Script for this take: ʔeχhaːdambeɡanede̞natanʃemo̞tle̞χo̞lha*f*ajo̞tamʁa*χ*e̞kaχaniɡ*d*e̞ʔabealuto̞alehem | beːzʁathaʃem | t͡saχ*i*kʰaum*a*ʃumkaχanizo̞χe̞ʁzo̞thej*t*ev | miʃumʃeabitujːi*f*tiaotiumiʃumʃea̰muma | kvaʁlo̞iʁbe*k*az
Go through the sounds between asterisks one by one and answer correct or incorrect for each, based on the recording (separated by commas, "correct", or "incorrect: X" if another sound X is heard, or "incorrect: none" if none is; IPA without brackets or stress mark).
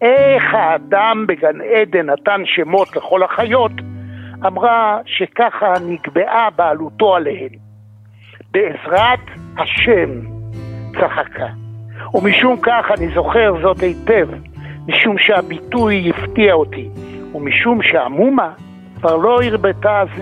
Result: incorrect: χ, incorrect: ʃ, incorrect: b, incorrect: a, incorrect: i, correct, correct, incorrect: t